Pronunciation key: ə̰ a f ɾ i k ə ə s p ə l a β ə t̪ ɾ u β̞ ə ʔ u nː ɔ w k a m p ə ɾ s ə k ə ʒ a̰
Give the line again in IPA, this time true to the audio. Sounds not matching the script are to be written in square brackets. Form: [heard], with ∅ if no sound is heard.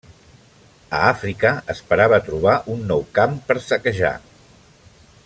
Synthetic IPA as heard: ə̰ a f ɾ i k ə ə s p ə [ɾ] a β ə t̪ ɾ u β̞ [a] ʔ u nː ɔ w k a m p ə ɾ s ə k ə ʒ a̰